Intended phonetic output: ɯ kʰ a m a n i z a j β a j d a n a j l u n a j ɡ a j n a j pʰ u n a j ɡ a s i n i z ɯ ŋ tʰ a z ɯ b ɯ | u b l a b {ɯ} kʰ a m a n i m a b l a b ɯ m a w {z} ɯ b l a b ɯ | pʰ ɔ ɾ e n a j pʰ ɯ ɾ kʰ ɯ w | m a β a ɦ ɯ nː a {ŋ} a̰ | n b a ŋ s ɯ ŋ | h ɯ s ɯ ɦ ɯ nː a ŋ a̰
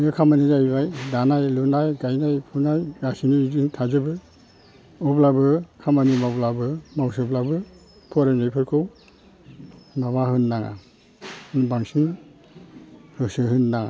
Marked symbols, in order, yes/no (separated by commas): yes, no, yes